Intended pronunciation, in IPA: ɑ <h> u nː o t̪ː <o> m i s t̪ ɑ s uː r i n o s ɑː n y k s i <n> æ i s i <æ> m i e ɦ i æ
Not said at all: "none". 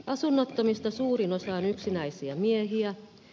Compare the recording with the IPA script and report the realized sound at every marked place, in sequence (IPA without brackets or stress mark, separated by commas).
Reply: s, o, n, æ